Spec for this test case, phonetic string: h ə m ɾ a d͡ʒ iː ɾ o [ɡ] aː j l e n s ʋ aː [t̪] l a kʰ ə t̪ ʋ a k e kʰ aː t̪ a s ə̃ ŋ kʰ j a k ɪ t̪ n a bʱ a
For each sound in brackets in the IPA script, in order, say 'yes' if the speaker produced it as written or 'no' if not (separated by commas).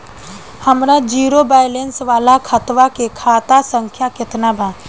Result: no, no